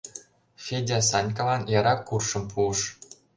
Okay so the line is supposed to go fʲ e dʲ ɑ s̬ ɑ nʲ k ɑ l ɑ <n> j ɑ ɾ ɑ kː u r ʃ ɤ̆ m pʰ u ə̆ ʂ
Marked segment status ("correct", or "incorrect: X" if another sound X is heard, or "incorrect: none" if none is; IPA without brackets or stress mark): correct